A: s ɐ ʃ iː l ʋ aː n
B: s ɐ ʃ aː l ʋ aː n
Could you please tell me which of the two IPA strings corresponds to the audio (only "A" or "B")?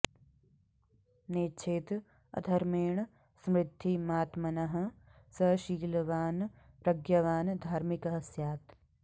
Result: A